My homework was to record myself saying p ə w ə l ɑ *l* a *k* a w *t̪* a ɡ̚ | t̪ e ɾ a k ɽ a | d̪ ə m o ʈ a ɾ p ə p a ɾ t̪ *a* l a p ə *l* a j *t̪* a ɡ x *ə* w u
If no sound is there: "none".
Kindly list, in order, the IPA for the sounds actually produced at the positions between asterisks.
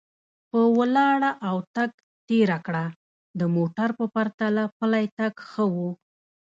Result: ɽ, ʔ, t̪, a, l, t̪, ə

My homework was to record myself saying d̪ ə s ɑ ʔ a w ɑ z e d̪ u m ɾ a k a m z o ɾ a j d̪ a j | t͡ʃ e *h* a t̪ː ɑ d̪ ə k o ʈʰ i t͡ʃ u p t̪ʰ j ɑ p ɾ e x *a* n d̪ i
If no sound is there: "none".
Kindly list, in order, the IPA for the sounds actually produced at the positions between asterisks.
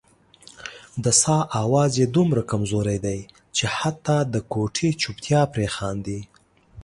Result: h, ɑ

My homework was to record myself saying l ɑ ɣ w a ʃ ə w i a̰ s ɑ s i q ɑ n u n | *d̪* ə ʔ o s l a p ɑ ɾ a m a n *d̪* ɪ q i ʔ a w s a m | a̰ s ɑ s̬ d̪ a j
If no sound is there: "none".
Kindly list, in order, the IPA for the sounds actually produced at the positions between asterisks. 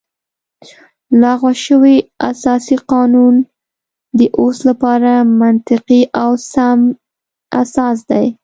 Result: d̪, t̪

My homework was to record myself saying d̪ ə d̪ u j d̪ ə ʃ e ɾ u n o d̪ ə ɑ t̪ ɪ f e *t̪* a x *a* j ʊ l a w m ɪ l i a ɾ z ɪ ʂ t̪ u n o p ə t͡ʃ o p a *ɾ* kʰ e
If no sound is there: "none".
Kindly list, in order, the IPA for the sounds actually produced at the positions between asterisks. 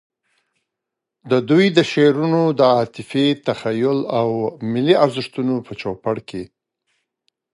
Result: t̪, a, ɽ

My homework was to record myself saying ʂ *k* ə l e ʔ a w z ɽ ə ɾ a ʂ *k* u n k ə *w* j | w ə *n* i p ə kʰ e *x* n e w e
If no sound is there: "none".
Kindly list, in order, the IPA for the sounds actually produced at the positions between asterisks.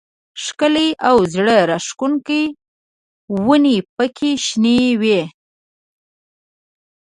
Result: k, k, none, n, ʃ

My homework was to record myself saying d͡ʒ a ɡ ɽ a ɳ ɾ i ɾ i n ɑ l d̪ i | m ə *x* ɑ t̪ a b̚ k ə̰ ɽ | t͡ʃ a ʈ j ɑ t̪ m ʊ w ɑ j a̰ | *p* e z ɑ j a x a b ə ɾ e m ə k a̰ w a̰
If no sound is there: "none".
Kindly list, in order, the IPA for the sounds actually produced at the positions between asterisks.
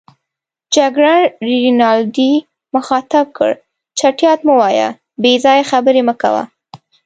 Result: x, b

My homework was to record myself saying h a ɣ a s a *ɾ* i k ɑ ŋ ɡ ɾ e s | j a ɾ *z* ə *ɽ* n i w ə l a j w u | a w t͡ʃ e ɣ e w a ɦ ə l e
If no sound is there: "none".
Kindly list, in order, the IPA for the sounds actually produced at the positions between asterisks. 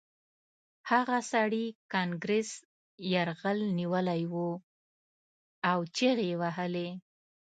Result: ɽ, ɣ, l

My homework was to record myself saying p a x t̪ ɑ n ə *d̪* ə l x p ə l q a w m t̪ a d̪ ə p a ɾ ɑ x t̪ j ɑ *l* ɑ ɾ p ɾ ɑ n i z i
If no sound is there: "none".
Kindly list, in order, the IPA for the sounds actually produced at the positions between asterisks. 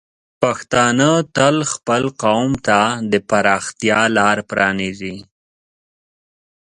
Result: t̪, l

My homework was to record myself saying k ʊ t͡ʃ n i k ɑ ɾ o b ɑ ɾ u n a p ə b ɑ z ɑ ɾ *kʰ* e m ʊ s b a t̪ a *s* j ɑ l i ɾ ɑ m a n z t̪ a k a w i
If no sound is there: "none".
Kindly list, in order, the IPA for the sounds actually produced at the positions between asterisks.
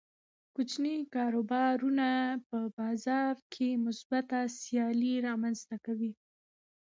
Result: kʰ, s

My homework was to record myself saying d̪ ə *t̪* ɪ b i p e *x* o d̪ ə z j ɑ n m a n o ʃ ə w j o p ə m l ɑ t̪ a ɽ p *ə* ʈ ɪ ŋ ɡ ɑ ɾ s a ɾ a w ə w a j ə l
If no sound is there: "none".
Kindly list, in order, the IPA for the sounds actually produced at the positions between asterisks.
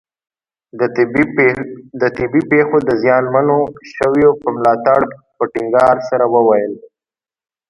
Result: t̪, x, ə

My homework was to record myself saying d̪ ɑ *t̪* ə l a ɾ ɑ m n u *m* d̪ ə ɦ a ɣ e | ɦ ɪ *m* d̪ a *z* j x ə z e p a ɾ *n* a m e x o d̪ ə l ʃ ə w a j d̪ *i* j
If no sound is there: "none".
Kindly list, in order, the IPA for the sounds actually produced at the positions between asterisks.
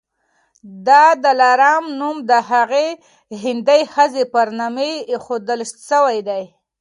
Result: d̪, m, n, none, n, a

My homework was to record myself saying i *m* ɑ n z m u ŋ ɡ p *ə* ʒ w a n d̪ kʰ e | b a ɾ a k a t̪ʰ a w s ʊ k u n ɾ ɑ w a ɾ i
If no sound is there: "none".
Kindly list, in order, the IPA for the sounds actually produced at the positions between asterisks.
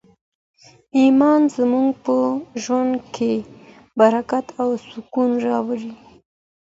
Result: m, ə

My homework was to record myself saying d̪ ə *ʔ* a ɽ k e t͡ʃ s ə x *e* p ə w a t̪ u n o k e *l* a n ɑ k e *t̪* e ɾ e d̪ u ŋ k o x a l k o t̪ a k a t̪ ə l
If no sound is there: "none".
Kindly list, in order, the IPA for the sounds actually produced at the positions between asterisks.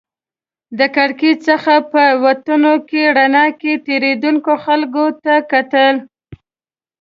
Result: k, a, ɽ, t̪

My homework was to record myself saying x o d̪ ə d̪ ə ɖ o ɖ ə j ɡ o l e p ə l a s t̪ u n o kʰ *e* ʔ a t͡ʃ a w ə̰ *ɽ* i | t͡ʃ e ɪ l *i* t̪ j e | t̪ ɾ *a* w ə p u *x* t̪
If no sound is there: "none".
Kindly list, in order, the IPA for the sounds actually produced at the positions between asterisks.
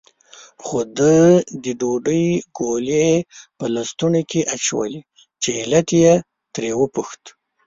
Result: e, l, a, e, x

